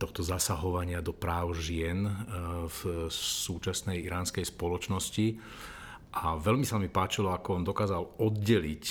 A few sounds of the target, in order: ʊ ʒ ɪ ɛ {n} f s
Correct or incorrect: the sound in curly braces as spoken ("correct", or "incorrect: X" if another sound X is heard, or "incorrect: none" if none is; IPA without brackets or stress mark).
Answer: correct